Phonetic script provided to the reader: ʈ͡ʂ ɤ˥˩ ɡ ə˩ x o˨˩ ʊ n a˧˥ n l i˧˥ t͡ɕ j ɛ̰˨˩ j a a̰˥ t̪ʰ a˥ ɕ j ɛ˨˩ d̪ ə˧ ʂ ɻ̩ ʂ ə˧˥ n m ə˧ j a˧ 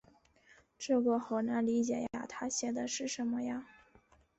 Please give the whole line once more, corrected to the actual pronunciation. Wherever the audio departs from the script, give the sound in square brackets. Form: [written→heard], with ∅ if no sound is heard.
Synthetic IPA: ʈ͡ʂ ɤ˥˩ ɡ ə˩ x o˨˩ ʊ n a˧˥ n l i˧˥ t͡ɕ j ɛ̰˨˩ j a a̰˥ t̪ʰ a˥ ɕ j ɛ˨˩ d̪ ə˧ ʂ ɻ̩ ʂ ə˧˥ n m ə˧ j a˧

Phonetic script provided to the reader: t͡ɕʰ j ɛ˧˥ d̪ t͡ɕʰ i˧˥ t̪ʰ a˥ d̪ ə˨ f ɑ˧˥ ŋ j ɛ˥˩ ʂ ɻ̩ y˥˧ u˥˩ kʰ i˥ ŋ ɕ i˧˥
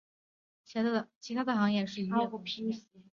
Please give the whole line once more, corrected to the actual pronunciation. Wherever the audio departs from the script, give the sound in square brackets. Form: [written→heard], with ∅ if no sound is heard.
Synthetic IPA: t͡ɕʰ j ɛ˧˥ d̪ t͡ɕʰ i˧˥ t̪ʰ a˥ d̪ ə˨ [f→x] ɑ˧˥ ŋ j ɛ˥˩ ʂ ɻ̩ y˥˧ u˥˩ [kʰ→pʰ] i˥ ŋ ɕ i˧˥

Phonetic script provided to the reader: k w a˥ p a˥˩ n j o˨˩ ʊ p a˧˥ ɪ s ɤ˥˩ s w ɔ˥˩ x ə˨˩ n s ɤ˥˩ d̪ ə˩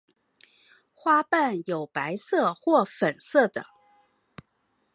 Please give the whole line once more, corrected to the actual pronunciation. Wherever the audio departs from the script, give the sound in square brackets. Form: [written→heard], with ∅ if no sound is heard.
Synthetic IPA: [k→x] w a˥ p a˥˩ n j o˨˩ ʊ p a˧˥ ɪ s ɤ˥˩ [s→x] w ɔ˥˩ [x→f] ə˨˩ n s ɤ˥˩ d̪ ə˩

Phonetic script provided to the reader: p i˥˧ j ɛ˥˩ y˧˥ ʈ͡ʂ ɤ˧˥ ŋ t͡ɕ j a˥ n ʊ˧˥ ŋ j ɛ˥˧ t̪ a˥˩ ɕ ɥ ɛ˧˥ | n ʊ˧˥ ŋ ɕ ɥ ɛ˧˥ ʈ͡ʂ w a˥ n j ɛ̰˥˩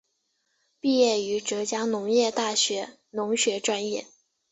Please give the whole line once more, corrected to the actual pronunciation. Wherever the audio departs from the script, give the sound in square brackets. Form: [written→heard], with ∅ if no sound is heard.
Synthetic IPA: p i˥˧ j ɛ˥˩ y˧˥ ʈ͡ʂ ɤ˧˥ [ŋ→∅] t͡ɕ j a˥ n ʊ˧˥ ŋ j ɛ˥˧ t̪ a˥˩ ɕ ɥ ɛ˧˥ | n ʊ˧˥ ŋ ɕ ɥ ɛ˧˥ ʈ͡ʂ w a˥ n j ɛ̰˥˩

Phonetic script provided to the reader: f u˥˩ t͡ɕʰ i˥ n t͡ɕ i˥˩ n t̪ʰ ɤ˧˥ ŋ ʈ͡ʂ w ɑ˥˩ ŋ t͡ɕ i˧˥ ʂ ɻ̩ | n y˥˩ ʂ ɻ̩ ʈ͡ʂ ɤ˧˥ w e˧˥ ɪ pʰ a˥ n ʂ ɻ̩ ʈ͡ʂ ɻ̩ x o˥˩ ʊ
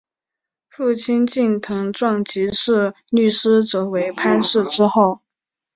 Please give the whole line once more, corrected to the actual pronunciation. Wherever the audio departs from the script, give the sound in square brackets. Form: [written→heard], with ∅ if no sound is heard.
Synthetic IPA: f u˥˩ t͡ɕʰ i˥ n t͡ɕ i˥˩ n t̪ʰ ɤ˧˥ ŋ ʈ͡ʂ w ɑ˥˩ ŋ t͡ɕ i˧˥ ʂ ɻ̩ | n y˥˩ ʂ ɻ̩ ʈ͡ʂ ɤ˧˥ w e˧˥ ɪ pʰ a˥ n ʂ ɻ̩ ʈ͡ʂ ɻ̩ x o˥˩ ʊ

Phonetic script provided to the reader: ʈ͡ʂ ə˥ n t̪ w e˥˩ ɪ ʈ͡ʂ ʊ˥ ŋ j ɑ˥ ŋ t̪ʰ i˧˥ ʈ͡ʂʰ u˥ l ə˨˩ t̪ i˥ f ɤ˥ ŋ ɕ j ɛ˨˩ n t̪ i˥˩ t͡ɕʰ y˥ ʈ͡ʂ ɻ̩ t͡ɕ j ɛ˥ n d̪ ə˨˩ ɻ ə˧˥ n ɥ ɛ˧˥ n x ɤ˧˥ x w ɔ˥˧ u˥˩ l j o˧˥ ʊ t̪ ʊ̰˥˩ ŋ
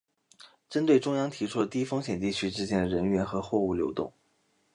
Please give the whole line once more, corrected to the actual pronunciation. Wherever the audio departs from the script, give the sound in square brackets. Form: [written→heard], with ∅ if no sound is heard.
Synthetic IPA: ʈ͡ʂ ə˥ n t̪ w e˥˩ ɪ ʈ͡ʂ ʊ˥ ŋ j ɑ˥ ŋ t̪ʰ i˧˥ ʈ͡ʂʰ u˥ l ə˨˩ t̪ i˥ f ɤ˥ ŋ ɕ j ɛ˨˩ n t̪ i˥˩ t͡ɕʰ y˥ ʈ͡ʂ ɻ̩ t͡ɕ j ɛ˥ n d̪ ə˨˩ ɻ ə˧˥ n ɥ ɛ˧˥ n x ɤ˧˥ x w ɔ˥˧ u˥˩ l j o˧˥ ʊ t̪ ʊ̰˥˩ ŋ

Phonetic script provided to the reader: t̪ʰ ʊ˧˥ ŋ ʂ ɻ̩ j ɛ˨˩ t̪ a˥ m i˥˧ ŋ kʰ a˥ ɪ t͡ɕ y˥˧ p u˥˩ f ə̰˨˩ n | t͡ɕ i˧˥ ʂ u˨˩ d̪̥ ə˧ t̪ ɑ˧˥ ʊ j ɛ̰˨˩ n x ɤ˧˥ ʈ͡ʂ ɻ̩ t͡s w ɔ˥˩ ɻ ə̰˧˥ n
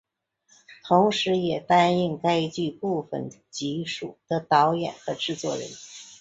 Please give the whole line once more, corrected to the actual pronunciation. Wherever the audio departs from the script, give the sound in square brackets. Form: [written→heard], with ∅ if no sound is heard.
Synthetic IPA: t̪ʰ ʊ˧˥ ŋ ʂ ɻ̩ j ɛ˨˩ t̪ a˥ [m→n] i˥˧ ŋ [kʰ→k] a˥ ɪ t͡ɕ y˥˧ p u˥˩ f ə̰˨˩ n | t͡ɕ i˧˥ ʂ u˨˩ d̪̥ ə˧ t̪ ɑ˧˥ ʊ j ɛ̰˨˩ n x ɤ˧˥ ʈ͡ʂ ɻ̩ t͡s w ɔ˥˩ ɻ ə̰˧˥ n

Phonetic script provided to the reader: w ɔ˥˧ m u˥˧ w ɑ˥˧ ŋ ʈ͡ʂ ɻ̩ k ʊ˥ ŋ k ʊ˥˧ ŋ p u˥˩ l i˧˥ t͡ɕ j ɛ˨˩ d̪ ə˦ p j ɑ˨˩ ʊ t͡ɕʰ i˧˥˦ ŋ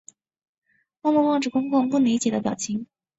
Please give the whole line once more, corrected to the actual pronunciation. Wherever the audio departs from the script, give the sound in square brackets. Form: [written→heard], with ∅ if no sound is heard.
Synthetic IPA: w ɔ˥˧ m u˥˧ w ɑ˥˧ ŋ ʈ͡ʂ ɻ̩ k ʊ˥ ŋ k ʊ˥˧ ŋ p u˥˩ l i˧˥ t͡ɕ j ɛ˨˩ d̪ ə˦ p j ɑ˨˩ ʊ t͡ɕʰ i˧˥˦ ŋ

